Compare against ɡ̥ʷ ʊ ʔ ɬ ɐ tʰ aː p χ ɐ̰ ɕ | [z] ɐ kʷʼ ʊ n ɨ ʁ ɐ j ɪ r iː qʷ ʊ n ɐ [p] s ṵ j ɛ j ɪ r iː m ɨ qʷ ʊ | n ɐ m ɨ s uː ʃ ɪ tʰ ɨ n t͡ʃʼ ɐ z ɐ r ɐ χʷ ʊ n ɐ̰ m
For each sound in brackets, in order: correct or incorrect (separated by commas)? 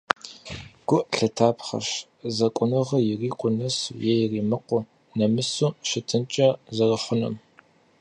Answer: correct, incorrect